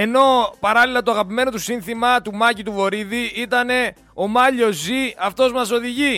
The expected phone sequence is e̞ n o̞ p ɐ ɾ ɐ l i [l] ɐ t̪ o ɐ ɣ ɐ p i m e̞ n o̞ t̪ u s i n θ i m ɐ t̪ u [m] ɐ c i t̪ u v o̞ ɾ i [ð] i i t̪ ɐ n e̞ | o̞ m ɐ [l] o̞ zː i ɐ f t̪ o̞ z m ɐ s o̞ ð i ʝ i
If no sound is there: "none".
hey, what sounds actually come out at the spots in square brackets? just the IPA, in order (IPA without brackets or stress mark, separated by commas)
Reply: l, m, ð, ʎ